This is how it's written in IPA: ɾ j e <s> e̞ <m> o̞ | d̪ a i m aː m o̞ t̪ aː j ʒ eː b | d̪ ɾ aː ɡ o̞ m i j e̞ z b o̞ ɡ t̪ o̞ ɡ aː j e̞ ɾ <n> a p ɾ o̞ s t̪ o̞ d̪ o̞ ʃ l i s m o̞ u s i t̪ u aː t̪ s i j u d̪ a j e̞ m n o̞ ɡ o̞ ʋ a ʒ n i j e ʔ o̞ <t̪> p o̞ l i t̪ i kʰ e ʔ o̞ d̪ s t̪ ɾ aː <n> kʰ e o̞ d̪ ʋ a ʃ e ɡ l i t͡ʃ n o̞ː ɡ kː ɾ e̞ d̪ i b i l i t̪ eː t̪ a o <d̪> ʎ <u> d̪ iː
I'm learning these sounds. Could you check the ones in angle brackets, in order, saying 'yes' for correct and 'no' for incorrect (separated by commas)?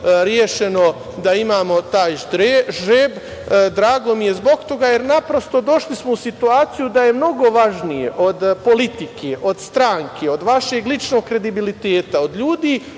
no, no, yes, no, no, yes, no